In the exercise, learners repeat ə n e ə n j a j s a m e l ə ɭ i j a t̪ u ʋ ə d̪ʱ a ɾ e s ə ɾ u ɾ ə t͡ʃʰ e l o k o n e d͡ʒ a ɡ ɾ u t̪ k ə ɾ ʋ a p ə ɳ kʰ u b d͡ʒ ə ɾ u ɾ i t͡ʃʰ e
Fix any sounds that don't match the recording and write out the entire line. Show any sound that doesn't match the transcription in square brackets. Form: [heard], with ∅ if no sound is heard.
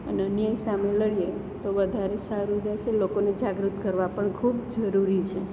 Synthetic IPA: ə n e ə n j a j s a m e l ə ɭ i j [e] t̪ [o] ʋ ə d̪ʱ a ɾ e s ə ɾ u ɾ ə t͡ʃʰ e l o k o n e d͡ʒ a ɡ ɾ u t̪ k ə ɾ ʋ a p ə ɳ kʰ u b d͡ʒ ə ɾ u ɾ i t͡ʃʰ e

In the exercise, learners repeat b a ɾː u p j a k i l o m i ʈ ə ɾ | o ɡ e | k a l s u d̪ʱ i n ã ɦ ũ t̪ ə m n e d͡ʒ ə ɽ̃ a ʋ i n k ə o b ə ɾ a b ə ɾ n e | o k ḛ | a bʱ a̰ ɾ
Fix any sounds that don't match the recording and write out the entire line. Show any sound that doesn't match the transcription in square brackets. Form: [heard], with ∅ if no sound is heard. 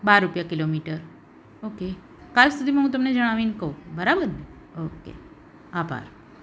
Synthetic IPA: b a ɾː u p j a k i l o m i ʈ ə ɾ | o [k] e | k a l s u d̪ʱ i [m] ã ɦ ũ t̪ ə m n e d͡ʒ ə ɽ̃ a ʋ i n k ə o b ə ɾ a b ə ɾ n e | o k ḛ | a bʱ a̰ ɾ

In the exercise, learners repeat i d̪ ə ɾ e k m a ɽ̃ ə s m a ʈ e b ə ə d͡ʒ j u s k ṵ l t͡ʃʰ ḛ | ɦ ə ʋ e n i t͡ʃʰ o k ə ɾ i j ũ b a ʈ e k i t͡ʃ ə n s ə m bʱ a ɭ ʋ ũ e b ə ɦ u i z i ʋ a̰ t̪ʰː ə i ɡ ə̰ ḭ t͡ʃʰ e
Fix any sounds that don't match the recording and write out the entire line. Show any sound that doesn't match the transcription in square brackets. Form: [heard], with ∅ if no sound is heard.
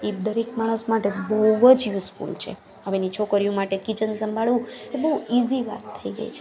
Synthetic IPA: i d̪ ə ɾ e k m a ɽ̃ ə s m a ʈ e b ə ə d͡ʒ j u s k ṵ l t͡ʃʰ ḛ | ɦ ə ʋ e n i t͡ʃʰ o k ə ɾ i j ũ [m] a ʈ e k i t͡ʃ ə n s ə m bʱ a ɭ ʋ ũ e b ə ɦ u i z i ʋ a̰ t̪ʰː ə i ɡ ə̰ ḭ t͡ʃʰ e

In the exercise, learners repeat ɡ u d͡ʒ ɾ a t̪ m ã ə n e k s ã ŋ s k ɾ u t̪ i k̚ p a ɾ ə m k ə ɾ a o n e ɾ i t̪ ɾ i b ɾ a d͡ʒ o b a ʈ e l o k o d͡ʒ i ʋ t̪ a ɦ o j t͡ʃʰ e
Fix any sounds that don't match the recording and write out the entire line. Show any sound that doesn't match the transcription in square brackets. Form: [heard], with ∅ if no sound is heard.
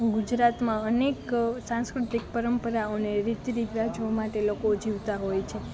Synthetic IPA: ɡ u d͡ʒ ɾ a t̪ m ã ə n e k s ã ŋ s k ɾ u t̪ i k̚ p [ə] ɾ ə m [p] ə ɾ a o n e ɾ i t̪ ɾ i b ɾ a d͡ʒ o [m] a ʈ e l o k o d͡ʒ i ʋ t̪ a ɦ o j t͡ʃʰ e

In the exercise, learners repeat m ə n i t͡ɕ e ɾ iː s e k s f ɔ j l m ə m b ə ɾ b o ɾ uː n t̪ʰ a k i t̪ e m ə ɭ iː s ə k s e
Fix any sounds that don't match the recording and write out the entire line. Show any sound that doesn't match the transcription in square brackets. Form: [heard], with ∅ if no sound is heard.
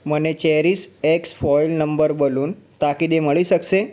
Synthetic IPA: m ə n [e] t͡ɕ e ɾ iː s e k s f ɔ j l [n] ə m b ə ɾ b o [l] uː n [t̪] a k i [d̪] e m ə ɭ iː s ə k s e

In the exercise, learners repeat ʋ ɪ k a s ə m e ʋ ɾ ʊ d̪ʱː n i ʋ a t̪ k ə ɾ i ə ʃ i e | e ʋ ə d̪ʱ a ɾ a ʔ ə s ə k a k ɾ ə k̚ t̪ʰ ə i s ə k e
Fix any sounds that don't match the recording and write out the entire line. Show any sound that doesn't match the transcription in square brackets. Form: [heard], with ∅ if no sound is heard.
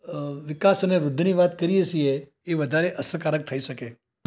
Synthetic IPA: ʋ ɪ k a s ə [n] e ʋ ɾ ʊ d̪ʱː n i ʋ a t̪ k ə ɾ i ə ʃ i e | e ʋ ə d̪ʱ a ɾ [e] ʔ ə s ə k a [∅] ɾ ə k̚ t̪ʰ ə i [ʃ] ə k e

